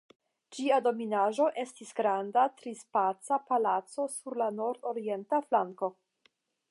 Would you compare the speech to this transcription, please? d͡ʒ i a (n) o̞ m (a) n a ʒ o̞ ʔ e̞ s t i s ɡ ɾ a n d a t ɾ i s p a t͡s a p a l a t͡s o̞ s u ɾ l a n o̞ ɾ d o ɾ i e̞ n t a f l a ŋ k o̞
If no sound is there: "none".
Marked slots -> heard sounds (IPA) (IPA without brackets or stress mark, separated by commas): d, i